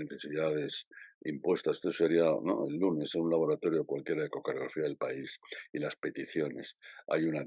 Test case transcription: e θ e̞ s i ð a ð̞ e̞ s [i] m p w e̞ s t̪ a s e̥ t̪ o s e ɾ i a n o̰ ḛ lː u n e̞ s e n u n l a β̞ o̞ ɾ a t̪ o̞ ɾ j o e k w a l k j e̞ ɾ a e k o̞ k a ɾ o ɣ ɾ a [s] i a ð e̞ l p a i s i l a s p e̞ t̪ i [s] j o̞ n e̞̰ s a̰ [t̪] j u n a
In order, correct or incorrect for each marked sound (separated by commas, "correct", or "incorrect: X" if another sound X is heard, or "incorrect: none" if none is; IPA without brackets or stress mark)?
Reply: correct, incorrect: f, incorrect: θ, incorrect: none